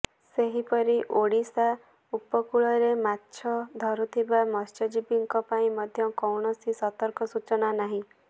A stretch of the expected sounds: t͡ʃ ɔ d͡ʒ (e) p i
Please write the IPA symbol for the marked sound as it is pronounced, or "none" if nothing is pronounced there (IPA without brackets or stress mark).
i